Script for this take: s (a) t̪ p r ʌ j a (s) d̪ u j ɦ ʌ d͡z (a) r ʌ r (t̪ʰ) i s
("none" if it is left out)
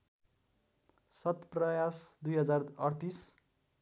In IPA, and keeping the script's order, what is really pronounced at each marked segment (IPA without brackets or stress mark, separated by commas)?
ʌ, s, a, t̪